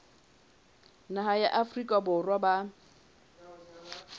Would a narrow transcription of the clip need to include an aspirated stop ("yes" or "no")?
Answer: no